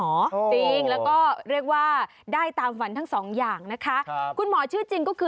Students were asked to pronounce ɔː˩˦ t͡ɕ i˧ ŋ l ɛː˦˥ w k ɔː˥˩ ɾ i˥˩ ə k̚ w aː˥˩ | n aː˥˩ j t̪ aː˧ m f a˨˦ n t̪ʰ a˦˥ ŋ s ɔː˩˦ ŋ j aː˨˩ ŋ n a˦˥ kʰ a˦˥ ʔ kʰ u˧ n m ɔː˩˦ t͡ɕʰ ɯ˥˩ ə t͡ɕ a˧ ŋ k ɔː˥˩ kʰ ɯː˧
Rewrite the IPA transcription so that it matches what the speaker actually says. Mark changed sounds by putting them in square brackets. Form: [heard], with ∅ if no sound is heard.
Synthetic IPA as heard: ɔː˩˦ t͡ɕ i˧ ŋ l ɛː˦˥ w k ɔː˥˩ ɾ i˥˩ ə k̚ w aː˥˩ | [d] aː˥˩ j t̪ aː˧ m f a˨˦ n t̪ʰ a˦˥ ŋ s ɔː˩˦ ŋ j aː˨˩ ŋ n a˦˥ kʰ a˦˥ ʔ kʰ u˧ n m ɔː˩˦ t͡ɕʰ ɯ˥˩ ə t͡ɕ [i˧] ŋ k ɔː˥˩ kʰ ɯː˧